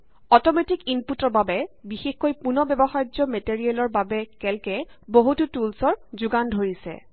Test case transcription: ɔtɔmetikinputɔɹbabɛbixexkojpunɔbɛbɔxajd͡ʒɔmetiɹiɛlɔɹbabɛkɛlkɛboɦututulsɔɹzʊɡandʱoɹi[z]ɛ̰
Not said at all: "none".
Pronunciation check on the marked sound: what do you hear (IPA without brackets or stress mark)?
s